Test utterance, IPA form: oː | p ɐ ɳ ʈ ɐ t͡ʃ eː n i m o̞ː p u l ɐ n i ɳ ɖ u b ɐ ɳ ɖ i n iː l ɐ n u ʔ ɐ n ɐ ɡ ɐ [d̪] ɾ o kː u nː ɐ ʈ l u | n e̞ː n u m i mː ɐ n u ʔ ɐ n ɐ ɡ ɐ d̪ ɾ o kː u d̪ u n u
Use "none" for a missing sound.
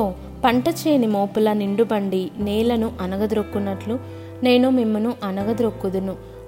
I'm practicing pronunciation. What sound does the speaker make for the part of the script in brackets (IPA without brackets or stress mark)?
d̪